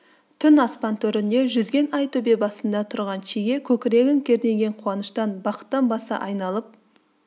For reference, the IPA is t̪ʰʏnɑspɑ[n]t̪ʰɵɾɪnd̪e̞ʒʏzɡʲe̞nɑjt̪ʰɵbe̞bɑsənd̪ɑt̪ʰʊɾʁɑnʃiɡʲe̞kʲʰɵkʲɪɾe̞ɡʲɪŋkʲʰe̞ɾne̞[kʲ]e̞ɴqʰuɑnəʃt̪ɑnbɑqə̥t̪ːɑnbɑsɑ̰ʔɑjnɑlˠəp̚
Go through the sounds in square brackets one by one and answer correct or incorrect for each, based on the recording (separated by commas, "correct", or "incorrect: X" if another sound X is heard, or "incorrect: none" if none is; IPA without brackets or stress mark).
correct, incorrect: ɡʲ